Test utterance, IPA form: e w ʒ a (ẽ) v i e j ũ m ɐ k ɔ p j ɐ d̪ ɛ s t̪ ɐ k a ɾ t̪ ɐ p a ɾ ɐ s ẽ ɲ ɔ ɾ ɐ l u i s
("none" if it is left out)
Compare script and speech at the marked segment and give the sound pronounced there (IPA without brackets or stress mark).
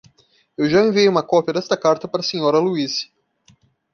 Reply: ẽ